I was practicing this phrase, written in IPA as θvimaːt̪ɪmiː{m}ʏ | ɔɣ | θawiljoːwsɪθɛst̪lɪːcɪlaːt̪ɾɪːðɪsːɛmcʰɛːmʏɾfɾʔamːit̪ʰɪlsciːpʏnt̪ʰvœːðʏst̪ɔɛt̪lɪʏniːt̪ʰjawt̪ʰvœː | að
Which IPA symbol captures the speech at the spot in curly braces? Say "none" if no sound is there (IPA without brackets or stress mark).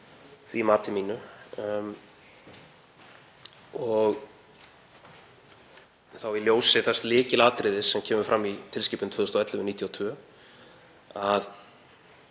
n